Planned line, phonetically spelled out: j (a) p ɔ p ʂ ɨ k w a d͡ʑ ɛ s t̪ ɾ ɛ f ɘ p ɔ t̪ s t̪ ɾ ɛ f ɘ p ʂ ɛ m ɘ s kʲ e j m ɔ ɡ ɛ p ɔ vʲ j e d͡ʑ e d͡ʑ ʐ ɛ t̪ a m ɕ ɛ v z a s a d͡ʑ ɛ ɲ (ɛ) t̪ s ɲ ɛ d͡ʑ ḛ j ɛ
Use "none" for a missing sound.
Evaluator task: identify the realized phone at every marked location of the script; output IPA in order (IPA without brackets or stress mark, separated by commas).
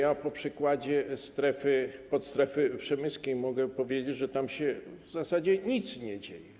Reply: a, i